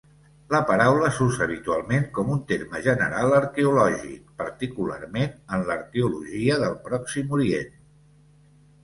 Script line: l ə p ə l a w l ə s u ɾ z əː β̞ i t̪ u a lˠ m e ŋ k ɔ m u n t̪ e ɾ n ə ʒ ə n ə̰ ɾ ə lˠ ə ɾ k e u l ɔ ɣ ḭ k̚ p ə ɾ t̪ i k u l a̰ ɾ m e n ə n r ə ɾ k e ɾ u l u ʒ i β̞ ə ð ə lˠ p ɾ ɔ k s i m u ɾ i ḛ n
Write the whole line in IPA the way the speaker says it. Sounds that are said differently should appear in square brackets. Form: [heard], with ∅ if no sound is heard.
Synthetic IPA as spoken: l ə p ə [ɾ] a w l ə s u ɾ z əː β̞ i t̪ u a lˠ m e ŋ k ɔ m u n t̪ e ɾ [m] ə ʒ ə n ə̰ ɾ [a] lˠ ə ɾ k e u l ɔ [ʒ] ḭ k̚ p ə ɾ t̪ i k u l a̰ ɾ m e n ə n [l] ə ɾ k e [∅] u l u ʒ i [∅] ə ð ə lˠ p ɾ ɔ k s i m u ɾ i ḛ n